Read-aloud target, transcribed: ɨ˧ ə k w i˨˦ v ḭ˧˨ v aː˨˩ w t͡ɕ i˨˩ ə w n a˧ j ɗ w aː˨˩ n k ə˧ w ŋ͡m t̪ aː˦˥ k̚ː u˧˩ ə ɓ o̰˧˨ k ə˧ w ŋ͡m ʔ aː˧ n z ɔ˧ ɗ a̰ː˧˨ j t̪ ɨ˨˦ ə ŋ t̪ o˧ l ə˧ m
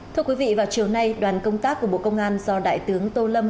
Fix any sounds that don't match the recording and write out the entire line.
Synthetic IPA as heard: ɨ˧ ə k w i˨˦ v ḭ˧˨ v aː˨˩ w t͡ɕ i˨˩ ə w n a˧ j ɗ w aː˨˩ n k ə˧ w ŋ͡m t̪ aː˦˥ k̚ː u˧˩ ə ɓ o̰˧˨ k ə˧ w ŋ͡m ʔ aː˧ n z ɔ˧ ɗ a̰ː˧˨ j t̪ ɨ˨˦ ə ŋ t̪ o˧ l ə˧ m